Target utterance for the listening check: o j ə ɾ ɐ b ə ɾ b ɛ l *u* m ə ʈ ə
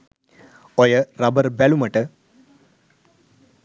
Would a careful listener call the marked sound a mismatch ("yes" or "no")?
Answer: no